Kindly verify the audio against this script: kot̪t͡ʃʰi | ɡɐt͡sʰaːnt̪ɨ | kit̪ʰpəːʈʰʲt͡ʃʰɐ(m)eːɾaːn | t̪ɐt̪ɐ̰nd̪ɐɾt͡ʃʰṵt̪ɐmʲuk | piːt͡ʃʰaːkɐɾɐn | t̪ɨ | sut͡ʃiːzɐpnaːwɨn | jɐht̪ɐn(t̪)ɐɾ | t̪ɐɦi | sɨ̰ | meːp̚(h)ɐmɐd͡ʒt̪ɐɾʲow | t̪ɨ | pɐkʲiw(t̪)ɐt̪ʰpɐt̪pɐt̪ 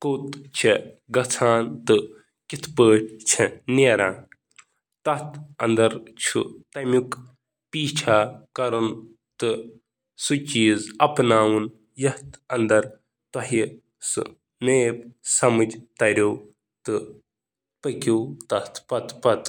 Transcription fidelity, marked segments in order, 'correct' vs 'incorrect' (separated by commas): incorrect, incorrect, incorrect, correct